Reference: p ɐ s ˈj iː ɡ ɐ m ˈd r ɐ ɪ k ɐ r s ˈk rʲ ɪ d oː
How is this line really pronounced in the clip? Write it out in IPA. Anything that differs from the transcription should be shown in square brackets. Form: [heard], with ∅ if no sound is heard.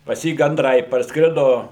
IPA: p ɐ s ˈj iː ɡ ɐ [n] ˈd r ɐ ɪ [p] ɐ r s ˈk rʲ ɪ d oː